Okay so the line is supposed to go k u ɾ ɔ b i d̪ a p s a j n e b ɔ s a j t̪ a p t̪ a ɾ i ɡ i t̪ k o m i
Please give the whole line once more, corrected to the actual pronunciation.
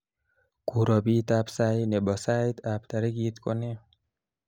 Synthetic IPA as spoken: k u ɾ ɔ b i t̪ a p s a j n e b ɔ s a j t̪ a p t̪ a ɾ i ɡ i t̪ k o n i